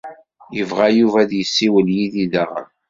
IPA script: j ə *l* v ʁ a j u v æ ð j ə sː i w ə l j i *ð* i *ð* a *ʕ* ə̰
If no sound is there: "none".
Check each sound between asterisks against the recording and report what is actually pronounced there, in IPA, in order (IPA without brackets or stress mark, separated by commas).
none, ð, ð, ʁ